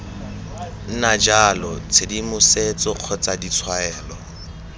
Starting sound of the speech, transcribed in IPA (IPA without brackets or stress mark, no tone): n̩